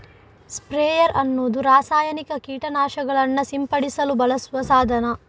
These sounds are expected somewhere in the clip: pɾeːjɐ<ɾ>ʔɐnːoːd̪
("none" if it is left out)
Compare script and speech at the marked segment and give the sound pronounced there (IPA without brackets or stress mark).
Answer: ɾ